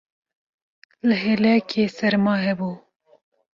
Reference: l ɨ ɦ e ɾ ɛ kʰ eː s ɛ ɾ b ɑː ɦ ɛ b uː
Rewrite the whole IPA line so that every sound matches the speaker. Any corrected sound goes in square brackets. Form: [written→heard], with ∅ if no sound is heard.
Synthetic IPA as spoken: l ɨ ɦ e [ɾ→l] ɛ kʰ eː s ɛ ɾ [b→m] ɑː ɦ ɛ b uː

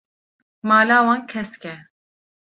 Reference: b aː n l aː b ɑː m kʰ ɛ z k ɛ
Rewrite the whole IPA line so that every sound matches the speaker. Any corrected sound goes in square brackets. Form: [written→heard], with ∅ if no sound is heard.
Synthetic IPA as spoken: [b→m] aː [n→∅] l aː [b→w] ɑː [m→n] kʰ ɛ [z→s] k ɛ

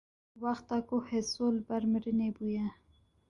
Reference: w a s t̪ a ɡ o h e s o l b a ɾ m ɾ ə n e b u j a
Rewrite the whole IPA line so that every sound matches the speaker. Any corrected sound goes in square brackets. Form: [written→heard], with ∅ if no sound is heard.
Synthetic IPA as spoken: w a [s→x] t̪ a [ɡ→k] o h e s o l b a ɾ m ɾ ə n e b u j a

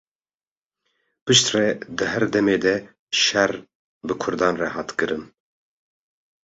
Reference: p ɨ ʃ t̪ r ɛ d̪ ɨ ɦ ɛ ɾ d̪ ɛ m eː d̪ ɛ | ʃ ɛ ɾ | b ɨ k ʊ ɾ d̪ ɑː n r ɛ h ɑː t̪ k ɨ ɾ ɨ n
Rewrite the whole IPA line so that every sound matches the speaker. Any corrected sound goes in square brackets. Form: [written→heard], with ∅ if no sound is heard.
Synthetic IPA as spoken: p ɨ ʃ t̪ r ɛ d̪ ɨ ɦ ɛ ɾ d̪ ɛ m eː d̪ ɛ | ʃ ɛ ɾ | b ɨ [k→kʰ] ʊ ɾ d̪ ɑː n r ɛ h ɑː t̪ k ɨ ɾ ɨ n

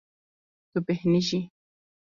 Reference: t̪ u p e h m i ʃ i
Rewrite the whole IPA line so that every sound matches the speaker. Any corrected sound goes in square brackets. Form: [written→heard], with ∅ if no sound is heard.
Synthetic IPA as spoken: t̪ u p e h [m→n] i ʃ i

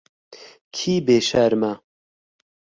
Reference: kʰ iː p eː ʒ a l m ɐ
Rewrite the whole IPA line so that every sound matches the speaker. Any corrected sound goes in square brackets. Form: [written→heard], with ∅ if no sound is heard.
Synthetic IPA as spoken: kʰ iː [p→b] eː [ʒ→ʃ] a [l→ɾ] m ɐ

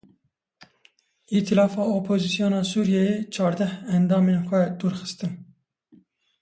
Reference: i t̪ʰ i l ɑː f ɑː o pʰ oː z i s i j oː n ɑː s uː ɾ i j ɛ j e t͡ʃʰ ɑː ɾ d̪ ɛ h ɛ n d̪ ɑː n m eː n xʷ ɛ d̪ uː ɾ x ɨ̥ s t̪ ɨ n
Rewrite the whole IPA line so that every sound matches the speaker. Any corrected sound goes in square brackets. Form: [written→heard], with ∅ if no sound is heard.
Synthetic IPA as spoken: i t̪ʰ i l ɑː f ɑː o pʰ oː z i s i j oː n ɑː s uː ɾ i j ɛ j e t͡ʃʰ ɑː ɾ d̪ ɛ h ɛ n d̪ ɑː [n→∅] m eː n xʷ ɛ d̪ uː ɾ x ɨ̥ s t̪ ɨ n

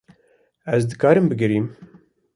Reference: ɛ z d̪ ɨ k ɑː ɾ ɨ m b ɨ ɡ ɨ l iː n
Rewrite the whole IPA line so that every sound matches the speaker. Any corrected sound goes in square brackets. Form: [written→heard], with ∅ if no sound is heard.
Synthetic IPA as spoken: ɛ z d̪ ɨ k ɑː ɾ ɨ m b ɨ ɡ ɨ [l→ɾ] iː [n→m]

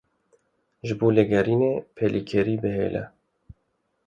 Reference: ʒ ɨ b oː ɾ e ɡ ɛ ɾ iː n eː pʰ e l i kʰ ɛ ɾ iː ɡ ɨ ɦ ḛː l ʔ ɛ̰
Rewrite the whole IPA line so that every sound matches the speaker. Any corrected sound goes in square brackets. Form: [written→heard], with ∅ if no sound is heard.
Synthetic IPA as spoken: ʒ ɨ b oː [ɾ→l] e ɡ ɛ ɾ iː n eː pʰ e l i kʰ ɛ ɾ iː [ɡ→b] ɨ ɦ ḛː l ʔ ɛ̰

